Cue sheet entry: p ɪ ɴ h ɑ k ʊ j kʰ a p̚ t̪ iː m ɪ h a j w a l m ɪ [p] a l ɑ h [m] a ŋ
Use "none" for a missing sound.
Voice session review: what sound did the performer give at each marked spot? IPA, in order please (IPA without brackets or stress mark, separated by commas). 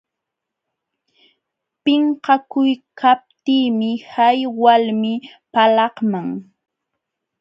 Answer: p, m